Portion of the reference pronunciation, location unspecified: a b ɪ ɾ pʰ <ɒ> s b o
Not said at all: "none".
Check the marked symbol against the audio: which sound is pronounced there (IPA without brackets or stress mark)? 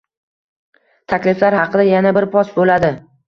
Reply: ɒ